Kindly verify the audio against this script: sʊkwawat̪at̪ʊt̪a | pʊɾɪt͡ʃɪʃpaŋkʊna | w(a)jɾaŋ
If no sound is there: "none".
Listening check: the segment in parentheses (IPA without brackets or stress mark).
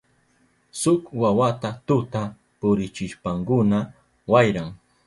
a